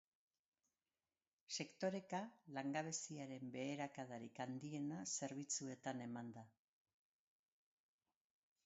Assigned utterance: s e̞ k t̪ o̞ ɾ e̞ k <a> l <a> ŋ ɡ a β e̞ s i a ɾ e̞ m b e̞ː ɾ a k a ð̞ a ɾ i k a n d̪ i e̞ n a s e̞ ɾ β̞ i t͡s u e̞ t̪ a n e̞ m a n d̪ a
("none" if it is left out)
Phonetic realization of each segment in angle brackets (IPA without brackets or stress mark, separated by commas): a, a